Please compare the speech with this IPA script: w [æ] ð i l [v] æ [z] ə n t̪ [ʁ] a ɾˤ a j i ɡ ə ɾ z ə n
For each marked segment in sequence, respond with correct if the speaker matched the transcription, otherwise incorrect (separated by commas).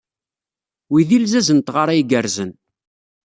incorrect, incorrect, correct, correct